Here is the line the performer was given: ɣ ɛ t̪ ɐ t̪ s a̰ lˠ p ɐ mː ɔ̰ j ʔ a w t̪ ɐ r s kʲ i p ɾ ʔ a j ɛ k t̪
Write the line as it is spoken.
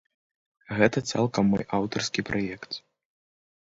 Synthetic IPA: ɣ ɛ t̪ ɐ t̪ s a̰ lˠ k ɐ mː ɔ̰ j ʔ a w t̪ ɐ r s kʲ i p ɾ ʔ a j ɛ k t̪